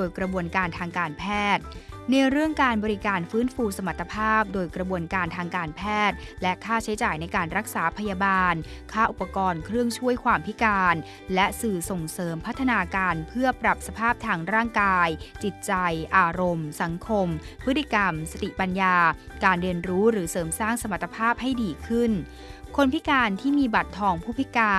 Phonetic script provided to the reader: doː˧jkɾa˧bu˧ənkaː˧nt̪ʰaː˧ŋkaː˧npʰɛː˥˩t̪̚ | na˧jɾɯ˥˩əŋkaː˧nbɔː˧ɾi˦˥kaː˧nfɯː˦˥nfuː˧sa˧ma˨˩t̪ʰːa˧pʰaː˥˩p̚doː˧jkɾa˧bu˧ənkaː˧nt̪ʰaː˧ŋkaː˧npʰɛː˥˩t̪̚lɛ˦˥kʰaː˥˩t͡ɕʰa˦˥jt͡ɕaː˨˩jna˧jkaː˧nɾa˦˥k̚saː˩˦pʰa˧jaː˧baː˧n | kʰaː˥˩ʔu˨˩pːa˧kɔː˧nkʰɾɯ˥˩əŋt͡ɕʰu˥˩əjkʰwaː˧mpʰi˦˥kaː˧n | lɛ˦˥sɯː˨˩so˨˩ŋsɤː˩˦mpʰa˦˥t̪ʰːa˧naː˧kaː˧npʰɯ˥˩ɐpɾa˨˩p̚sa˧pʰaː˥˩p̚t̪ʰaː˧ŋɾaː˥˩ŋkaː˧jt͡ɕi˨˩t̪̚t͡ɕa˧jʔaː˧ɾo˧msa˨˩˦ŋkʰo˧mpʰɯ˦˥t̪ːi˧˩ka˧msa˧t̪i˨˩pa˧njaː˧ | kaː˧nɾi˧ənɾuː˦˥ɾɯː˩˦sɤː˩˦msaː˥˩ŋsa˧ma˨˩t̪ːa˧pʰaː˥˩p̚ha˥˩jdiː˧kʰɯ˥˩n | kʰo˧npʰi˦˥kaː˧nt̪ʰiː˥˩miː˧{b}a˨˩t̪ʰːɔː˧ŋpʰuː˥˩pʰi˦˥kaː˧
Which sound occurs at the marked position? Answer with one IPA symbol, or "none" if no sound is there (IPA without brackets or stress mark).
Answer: b